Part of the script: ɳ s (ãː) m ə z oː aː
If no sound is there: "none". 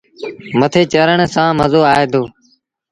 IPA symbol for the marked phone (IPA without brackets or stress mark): ãː